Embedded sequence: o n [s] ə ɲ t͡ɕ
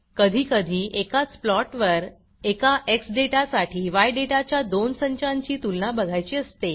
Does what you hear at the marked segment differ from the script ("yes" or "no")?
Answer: no